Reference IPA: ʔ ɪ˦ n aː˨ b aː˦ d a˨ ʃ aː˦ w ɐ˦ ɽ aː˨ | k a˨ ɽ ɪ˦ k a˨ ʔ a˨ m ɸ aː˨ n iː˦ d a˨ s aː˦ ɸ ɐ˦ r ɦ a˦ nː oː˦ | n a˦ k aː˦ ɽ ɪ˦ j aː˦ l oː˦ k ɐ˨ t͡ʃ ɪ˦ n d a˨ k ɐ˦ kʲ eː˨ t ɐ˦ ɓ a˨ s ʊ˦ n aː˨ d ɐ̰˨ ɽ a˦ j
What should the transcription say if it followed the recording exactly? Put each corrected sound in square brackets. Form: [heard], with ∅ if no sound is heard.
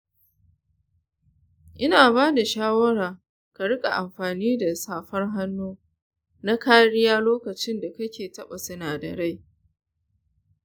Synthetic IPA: ʔ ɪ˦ n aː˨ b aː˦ d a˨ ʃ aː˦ w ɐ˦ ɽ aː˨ | k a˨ ɽ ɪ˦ [kʼ] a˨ ʔ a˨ m ɸ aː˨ n iː˦ d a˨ s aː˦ ɸ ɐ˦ r ɦ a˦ nː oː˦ | n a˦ k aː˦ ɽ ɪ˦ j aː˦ l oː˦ k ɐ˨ t͡ʃ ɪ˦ n d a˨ k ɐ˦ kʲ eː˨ t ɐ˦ ɓ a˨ s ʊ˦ n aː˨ d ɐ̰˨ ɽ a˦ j